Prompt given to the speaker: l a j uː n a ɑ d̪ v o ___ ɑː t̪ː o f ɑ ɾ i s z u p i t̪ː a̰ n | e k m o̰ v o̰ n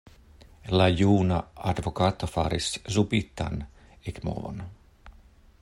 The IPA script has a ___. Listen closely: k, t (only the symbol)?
k